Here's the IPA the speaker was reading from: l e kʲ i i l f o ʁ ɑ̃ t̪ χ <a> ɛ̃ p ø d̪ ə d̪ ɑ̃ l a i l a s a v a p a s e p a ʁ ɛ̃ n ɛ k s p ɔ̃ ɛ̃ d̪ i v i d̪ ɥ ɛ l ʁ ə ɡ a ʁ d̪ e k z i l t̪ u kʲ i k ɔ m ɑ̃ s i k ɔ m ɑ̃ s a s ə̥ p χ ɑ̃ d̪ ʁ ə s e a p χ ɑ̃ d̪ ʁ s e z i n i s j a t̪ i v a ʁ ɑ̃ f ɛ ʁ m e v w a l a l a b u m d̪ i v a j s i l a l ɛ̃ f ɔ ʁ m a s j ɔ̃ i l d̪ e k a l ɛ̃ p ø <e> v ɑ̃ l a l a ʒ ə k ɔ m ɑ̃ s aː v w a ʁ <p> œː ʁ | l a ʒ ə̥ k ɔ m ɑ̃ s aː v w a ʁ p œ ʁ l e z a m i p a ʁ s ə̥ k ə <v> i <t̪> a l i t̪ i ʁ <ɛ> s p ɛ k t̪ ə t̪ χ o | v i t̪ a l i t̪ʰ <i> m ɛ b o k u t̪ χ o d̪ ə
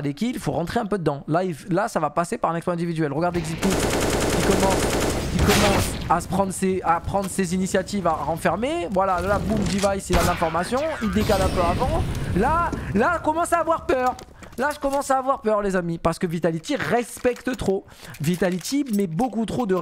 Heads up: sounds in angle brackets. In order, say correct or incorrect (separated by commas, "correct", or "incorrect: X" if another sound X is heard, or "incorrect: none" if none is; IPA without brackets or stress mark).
incorrect: e, incorrect: a, correct, correct, correct, correct, correct